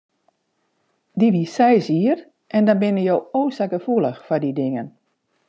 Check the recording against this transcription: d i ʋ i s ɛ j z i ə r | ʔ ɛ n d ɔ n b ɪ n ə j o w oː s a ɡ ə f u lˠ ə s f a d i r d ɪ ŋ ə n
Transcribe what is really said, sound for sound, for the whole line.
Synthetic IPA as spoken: d i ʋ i s ɛ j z i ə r | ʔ ɛ n d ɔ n b ɪ n ə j o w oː s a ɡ ə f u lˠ ə x f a d i d ɪ ŋ ə n